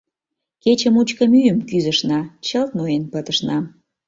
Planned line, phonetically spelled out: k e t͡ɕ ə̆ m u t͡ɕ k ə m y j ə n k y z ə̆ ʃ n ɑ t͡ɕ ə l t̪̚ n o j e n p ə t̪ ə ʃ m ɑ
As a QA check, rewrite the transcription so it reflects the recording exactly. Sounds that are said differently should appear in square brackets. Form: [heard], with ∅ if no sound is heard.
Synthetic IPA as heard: k e t͡ɕ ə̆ m u t͡ɕ k ə m y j ə [m] k y z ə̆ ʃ n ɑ t͡ɕ ə l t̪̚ n o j e n p ə t̪ ə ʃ [n] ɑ